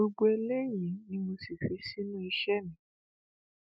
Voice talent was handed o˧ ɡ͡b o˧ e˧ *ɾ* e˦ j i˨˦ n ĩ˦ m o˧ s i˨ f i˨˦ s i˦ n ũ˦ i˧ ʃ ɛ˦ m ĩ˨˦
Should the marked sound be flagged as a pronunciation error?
yes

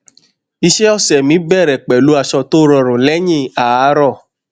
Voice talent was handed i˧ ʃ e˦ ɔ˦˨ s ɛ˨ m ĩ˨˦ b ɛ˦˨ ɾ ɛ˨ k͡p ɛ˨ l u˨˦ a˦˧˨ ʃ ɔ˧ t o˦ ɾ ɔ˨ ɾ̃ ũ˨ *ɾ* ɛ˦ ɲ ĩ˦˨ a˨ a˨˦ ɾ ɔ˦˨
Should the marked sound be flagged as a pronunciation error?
yes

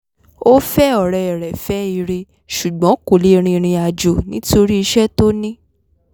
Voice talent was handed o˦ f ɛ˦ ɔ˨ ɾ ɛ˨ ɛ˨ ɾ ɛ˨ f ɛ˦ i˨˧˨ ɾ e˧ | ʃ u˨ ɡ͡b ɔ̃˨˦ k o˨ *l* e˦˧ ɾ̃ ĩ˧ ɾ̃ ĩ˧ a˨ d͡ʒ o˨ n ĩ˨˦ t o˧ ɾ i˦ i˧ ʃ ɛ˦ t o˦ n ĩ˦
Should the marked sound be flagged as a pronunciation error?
no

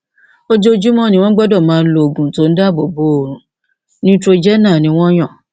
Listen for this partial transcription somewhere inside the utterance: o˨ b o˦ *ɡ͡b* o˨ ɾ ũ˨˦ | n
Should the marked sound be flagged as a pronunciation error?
yes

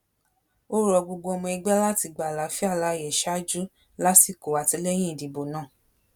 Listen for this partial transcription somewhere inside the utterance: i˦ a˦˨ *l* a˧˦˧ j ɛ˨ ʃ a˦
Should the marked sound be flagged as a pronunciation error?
no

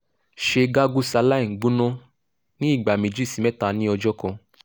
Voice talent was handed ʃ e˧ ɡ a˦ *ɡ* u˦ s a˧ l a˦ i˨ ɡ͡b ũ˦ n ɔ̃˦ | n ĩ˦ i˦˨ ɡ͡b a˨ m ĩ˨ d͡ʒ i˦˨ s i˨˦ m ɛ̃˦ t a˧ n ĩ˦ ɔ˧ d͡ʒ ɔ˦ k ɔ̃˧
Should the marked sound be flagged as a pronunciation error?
no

